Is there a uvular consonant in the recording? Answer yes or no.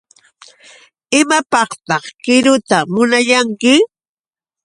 yes